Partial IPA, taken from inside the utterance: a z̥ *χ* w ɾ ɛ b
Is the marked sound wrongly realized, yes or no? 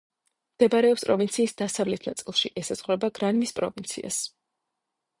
yes